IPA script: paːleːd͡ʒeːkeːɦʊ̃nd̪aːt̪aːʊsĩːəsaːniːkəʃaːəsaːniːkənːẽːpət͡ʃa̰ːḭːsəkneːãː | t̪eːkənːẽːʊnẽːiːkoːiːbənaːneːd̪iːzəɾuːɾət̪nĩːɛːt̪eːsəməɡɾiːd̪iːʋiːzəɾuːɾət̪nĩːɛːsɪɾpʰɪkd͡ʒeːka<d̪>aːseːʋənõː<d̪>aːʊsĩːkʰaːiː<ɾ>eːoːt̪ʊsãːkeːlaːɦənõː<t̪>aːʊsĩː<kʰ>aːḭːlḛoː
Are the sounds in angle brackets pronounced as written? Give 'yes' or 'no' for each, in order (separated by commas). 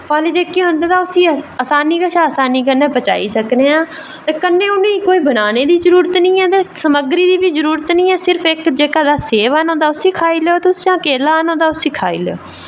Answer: yes, yes, no, no, yes